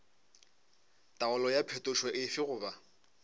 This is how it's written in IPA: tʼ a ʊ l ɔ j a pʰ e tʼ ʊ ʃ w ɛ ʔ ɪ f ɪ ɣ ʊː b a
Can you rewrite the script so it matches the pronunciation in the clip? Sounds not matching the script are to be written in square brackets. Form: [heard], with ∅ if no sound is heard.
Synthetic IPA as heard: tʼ a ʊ l ɔ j a pʰ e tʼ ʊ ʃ w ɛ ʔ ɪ f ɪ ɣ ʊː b a